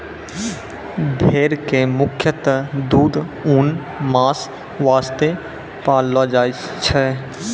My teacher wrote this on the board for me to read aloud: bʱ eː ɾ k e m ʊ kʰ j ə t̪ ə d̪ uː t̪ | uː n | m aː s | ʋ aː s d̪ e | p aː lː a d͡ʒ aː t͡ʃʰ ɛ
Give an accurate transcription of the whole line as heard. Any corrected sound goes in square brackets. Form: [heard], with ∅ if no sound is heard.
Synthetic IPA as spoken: bʱ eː ɾ k e m ʊ kʰ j ə t̪ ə d̪ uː [d̪] | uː n | m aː s | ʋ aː s [t̪] e | p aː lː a d͡ʒ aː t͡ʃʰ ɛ